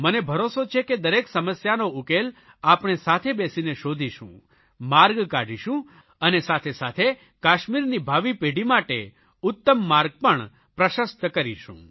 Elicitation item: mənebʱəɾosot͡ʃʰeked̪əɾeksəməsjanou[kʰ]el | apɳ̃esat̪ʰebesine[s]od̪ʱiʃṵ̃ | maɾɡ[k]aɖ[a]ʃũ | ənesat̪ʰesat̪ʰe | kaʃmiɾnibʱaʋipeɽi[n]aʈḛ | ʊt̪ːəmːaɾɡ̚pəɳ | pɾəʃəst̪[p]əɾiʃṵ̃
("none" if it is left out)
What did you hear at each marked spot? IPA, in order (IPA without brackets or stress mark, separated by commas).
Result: k, ʃ, k, i, m, k